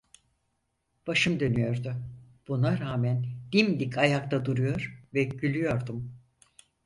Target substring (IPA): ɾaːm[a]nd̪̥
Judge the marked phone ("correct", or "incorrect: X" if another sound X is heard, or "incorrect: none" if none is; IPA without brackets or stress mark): incorrect: æ